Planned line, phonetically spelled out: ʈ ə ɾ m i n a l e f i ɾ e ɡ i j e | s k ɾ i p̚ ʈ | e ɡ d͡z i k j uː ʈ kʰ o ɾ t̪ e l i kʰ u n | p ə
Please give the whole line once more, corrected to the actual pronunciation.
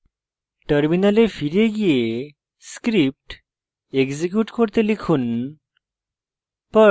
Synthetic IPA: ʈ ə ɾ m i n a l e f i ɾ e ɡ i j e | s k ɾ i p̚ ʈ | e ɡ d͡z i k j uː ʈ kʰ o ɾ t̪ e l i kʰ uː n | p ə